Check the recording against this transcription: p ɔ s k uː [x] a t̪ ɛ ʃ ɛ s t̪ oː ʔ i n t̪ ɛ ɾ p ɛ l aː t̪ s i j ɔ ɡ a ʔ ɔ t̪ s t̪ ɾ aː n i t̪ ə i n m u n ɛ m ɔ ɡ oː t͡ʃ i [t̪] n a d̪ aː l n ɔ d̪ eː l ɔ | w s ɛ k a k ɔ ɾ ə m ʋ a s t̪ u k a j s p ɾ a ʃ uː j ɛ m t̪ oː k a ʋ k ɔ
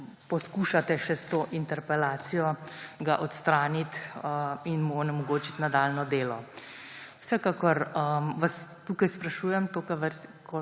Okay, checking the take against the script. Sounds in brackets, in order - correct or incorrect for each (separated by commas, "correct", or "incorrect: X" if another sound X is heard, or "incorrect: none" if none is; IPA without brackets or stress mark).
incorrect: ʃ, correct